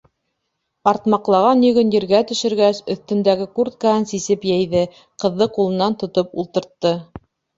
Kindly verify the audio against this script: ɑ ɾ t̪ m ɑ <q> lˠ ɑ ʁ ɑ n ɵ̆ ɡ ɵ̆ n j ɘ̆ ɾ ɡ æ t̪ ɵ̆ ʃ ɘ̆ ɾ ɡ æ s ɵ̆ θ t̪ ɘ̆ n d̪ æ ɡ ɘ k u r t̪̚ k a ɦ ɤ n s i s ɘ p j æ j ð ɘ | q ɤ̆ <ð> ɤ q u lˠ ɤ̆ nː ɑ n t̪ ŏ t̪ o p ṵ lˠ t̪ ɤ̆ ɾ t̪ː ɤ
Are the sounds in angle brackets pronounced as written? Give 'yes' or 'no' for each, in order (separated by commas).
yes, no